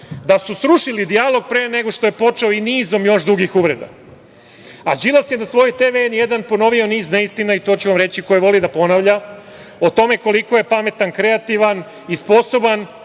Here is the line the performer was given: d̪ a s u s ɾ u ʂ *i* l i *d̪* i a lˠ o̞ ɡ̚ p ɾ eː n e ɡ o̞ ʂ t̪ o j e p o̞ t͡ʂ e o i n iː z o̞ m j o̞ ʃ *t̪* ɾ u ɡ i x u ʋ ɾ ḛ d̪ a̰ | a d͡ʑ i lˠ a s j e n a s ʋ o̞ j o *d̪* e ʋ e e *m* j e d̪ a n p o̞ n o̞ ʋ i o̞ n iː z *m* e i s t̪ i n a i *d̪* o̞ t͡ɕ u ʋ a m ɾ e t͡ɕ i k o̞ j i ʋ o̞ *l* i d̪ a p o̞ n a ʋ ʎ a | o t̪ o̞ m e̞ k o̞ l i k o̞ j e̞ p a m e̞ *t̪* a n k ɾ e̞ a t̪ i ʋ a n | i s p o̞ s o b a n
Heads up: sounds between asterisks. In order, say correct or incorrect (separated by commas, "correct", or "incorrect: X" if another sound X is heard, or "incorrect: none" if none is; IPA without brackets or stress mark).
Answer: correct, correct, incorrect: d̪, incorrect: t̪, incorrect: n, incorrect: n, incorrect: t̪, correct, correct